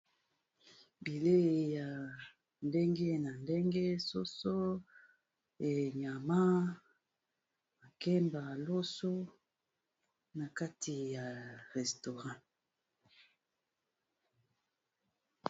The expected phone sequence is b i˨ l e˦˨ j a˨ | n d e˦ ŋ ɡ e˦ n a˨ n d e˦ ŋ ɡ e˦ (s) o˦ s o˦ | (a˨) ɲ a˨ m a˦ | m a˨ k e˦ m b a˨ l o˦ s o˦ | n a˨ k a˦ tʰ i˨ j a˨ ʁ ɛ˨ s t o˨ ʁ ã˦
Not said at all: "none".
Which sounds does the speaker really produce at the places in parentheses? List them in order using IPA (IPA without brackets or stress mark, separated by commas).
s, e˨